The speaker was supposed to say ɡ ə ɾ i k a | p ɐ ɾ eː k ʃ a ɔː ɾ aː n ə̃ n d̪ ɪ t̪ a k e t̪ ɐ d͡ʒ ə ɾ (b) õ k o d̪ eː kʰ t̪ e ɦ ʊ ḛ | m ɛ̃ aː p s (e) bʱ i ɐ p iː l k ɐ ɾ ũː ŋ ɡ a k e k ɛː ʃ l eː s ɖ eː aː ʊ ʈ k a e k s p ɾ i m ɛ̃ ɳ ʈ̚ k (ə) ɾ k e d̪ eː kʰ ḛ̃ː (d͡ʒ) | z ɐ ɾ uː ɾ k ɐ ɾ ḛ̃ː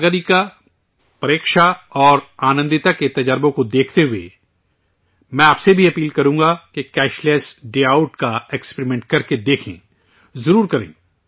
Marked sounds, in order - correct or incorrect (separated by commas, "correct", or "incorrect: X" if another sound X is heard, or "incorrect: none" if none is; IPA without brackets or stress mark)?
correct, correct, incorrect: ɐ, incorrect: none